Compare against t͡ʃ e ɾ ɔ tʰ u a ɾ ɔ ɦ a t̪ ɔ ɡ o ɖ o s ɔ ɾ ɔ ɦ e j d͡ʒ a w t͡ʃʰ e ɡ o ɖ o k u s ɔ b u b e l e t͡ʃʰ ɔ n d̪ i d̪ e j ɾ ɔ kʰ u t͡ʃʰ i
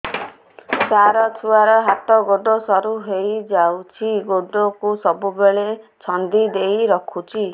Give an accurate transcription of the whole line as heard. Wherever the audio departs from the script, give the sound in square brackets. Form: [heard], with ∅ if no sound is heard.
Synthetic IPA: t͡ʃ [a] ɾ ɔ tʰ u a ɾ ɔ ɦ a t̪ ɔ ɡ o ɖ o s ɔ ɾ [u] ɦ e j d͡ʒ a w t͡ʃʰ [i] ɡ o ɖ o k u s ɔ b u b e [ɭ] e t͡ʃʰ ɔ n d̪ i d̪ e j ɾ ɔ kʰ u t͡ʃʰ i